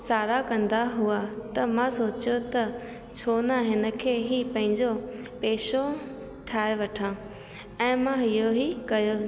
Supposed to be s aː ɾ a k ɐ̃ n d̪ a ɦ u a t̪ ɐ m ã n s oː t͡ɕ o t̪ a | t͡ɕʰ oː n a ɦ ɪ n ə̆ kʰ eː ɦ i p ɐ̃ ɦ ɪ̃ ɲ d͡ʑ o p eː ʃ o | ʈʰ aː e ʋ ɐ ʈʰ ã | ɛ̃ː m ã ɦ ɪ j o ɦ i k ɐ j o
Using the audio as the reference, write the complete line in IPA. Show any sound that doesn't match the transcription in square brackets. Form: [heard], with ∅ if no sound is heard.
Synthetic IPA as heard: s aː ɾ a k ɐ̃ n d̪ a ɦ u a t̪ ɐ m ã [∅] s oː t͡ɕ o t̪ [ɐ] | t͡ɕʰ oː n a ɦ ɪ n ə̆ kʰ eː ɦ i p ɐ̃ ɦ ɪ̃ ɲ d͡ʑ o p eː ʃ o | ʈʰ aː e ʋ ɐ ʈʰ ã | ɛ̃ː m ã ɦ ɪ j o ɦ i k ɐ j o